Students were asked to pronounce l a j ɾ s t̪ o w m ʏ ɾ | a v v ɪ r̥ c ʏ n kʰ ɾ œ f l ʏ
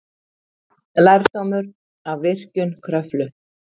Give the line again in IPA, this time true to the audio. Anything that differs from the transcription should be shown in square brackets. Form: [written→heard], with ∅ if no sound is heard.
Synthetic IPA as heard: l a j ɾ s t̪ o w m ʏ ɾ | a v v ɪ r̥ c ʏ n kʰ ɾ œ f l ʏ